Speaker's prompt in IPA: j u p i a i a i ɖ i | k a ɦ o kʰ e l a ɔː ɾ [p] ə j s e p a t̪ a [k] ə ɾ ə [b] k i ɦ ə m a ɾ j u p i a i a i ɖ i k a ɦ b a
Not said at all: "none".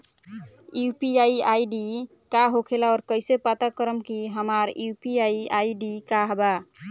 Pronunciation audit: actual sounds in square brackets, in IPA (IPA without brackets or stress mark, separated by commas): k, k, m